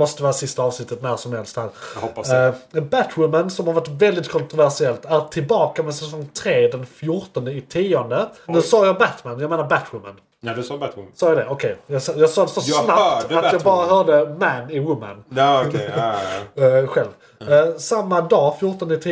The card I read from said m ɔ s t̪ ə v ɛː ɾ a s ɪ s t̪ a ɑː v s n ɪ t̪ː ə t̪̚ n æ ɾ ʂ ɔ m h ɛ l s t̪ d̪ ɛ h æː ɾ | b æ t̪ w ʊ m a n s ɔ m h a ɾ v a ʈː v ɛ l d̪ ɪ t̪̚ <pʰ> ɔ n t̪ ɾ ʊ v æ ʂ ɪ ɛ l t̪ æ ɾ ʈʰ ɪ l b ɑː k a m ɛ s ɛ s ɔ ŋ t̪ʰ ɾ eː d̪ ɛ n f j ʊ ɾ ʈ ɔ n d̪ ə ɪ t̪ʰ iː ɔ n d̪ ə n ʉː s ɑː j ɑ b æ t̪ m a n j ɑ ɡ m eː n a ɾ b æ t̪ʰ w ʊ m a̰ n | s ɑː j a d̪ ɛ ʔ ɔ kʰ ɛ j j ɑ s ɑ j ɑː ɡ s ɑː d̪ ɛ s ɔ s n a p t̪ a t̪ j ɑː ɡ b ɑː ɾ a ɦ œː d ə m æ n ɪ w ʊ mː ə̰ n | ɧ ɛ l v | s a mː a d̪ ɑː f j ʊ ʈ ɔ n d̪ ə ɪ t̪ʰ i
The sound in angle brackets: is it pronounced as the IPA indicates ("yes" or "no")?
no